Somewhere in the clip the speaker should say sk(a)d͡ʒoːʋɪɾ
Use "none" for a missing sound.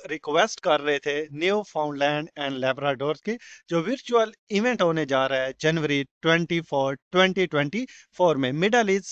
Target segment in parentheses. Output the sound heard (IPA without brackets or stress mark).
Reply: e